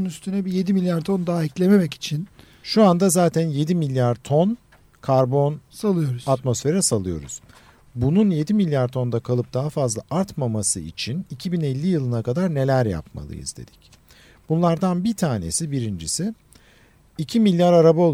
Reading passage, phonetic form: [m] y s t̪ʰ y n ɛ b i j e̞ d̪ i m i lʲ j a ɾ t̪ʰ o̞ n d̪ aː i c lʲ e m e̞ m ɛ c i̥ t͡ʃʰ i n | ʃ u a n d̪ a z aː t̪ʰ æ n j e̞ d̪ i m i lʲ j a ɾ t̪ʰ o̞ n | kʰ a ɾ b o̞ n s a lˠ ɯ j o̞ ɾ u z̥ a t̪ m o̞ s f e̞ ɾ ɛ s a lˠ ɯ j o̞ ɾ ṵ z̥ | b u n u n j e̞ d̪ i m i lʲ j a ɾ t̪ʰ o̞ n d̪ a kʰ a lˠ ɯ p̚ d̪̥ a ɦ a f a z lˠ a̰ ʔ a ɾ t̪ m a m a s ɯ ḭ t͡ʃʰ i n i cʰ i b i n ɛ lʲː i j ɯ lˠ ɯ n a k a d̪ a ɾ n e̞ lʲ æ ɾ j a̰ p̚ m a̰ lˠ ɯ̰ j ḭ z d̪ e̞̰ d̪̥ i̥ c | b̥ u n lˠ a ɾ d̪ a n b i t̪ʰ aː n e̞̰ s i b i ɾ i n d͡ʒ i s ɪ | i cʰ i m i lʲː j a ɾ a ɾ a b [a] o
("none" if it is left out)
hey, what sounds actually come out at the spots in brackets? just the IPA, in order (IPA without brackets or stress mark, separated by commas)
n, a